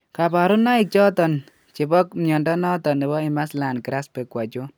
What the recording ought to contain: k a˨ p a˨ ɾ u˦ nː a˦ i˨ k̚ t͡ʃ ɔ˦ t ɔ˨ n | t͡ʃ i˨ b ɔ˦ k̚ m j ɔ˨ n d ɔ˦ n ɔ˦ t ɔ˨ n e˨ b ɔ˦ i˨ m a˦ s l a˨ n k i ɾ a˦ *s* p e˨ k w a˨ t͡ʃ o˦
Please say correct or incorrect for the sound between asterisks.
correct